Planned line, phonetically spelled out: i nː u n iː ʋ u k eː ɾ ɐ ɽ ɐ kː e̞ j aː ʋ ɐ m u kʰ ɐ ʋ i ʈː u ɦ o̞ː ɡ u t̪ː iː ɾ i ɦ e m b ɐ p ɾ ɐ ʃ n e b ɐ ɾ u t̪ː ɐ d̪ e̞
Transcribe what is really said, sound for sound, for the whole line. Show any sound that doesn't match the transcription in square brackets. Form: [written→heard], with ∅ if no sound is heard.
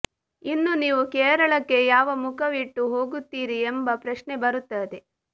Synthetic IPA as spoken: i nː u n iː ʋ u k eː ɾ ɐ [ɽ→ɭ] ɐ kː e̞ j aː ʋ ɐ m u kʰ ɐ ʋ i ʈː u ɦ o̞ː ɡ u t̪ː iː ɾ i [ɦ→∅] e m b ɐ p ɾ ɐ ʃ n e b ɐ ɾ u t̪ː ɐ d̪ e̞